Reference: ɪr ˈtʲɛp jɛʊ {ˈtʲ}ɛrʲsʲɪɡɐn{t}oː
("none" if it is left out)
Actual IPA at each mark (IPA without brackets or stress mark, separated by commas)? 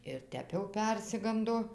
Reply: pʲ, d